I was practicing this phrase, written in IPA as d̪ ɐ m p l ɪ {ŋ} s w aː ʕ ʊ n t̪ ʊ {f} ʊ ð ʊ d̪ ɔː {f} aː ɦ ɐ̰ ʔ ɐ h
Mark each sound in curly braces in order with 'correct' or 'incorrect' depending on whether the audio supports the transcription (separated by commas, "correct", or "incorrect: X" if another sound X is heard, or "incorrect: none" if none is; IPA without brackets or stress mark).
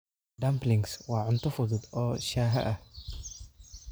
correct, correct, incorrect: ʃ